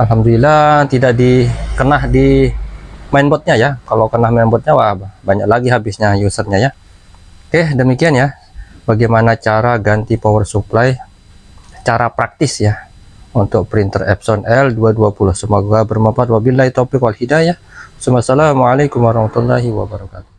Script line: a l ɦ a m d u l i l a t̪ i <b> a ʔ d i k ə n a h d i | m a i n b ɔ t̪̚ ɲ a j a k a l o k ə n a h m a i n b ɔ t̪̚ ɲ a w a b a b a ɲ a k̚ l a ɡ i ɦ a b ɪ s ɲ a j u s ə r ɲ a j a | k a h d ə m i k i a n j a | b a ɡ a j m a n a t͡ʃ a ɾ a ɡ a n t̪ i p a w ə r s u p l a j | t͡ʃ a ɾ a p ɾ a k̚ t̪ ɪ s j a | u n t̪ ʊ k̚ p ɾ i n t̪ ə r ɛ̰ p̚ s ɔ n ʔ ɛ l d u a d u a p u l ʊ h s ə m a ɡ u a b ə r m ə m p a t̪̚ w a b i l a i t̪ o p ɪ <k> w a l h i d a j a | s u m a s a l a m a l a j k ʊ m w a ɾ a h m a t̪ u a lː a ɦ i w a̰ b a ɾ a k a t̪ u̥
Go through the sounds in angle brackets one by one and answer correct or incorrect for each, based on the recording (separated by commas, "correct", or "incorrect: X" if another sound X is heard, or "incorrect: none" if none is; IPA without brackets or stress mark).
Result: incorrect: d, correct